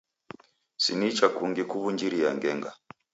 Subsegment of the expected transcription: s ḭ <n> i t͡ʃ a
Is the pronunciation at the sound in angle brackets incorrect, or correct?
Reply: correct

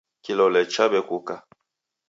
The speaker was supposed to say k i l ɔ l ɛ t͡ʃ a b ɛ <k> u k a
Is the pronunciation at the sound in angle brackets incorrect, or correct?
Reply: correct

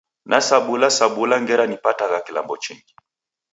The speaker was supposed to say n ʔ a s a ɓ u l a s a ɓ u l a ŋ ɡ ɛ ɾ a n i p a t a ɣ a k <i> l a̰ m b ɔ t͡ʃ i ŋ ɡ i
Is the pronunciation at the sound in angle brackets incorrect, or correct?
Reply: correct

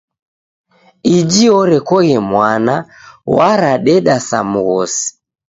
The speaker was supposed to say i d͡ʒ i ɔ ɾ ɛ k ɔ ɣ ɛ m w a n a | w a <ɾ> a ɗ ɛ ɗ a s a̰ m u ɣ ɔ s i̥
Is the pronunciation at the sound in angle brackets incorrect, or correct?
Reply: correct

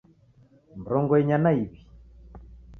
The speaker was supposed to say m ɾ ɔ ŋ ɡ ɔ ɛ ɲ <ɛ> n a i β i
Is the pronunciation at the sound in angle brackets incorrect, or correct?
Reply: incorrect: a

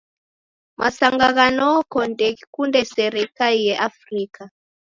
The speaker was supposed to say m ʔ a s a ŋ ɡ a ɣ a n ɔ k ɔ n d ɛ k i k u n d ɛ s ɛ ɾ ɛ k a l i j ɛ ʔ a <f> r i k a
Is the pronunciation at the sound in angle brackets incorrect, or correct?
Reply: correct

